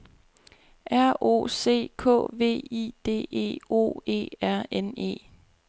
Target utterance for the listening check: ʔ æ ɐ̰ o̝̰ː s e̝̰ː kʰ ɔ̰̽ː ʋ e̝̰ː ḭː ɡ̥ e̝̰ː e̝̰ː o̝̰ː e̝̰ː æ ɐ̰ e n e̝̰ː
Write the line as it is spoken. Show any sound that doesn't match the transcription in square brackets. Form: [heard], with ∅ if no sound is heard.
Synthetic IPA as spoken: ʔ æ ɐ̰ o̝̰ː s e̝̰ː kʰ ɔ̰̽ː ʋ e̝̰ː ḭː [d̥] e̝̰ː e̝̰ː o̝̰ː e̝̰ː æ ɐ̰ e n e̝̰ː